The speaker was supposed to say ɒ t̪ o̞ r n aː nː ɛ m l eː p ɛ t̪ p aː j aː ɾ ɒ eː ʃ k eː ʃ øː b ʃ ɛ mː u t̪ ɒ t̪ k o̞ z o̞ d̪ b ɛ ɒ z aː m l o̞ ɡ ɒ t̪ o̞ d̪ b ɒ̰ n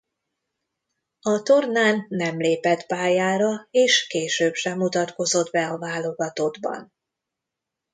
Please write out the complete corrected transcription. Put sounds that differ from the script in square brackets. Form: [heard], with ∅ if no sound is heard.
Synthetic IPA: ɒ t̪ o̞ r n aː nː ɛ m l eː p ɛ t̪ p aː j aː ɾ ɒ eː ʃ k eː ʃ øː b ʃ ɛ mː u t̪ ɒ t̪ k o̞ z o̞ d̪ b ɛ ɒ [v] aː [∅] l o̞ ɡ ɒ t̪ o̞ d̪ b ɒ̰ n